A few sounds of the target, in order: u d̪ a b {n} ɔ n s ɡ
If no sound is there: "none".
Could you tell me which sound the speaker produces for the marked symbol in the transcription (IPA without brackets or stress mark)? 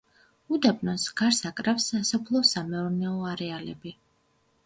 n